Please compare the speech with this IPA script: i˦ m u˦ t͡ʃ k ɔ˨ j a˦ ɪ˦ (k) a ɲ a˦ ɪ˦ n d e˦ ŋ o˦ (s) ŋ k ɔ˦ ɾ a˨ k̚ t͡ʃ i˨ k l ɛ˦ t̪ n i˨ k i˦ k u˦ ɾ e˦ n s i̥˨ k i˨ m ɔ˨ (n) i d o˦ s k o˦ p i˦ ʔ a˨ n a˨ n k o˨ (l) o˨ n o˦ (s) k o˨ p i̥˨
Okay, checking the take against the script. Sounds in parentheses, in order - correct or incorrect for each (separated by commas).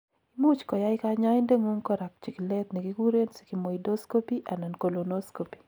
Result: correct, incorrect, incorrect, correct, correct